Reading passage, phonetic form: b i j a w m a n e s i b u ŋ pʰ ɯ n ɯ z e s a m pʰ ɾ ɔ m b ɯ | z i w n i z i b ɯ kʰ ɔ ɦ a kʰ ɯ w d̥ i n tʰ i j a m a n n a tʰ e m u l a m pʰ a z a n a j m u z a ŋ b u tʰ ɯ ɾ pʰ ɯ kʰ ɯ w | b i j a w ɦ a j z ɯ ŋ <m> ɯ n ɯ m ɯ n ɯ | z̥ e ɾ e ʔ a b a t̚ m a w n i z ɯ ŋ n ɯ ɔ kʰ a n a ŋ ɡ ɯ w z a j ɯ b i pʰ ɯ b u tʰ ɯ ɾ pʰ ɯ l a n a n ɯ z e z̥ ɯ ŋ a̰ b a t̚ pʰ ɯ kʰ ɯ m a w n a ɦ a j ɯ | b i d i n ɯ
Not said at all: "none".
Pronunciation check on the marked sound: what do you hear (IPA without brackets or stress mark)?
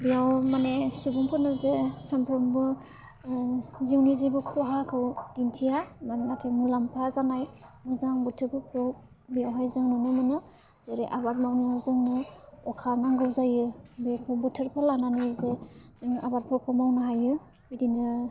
n